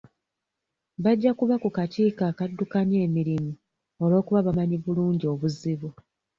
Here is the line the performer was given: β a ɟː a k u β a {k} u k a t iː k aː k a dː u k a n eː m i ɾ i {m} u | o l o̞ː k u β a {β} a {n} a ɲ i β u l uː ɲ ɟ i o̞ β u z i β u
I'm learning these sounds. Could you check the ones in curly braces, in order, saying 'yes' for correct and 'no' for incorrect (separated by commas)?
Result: yes, yes, yes, no